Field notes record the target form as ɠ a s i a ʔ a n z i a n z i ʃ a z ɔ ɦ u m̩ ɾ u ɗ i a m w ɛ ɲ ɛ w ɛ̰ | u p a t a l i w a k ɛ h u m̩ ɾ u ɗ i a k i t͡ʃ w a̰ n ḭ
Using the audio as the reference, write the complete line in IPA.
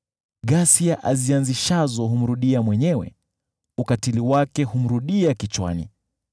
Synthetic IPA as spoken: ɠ a s i a ʔ a z i a n z i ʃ a z ɔ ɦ u m̩ ɾ u ɗ i a m w ɛ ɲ ɛ w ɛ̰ | u k a t i l i w a k ɛ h u m̩ ɾ u ɗ i a k i t͡ʃ w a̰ n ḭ